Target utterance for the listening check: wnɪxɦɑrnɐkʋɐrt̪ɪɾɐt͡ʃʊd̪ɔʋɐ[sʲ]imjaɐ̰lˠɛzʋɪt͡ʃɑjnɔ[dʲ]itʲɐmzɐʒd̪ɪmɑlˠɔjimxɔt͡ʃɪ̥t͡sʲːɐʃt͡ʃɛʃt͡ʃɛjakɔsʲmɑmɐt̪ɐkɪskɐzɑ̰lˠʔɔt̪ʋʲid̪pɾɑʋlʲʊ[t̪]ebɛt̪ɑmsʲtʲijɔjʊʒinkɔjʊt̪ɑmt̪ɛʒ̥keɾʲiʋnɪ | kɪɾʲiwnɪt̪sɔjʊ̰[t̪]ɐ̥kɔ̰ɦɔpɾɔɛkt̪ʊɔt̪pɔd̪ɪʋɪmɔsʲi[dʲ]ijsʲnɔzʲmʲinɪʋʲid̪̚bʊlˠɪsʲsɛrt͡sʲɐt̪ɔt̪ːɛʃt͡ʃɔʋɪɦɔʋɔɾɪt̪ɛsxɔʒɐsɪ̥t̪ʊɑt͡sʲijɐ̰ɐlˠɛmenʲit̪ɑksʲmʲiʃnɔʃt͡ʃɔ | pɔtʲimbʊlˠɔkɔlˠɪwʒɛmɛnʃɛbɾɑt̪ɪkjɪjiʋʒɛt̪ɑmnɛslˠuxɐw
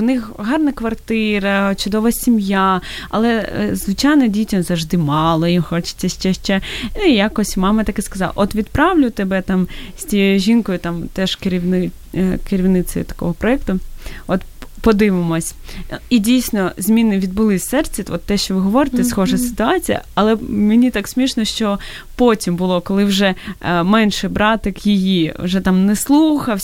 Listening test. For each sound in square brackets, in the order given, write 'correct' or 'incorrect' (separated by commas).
correct, correct, correct, correct, correct